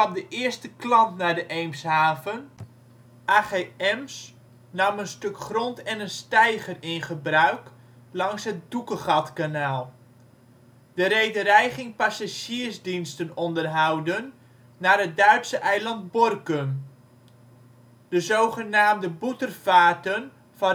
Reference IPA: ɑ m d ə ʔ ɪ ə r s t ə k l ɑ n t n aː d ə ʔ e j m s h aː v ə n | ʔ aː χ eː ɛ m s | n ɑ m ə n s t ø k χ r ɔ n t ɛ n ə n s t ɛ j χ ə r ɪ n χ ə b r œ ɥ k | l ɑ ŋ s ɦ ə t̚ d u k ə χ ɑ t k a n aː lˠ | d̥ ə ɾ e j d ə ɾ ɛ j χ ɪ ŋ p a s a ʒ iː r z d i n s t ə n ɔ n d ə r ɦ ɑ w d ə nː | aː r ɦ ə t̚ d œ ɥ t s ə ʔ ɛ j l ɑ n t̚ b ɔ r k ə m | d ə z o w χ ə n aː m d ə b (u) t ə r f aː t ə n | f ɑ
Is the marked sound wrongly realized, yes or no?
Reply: no